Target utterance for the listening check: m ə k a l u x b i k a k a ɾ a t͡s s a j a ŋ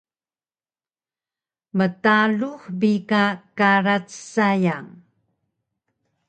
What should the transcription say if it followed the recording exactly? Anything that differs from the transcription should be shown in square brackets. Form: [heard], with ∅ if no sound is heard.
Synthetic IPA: m ə [t] a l u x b i k a k a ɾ a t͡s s a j a ŋ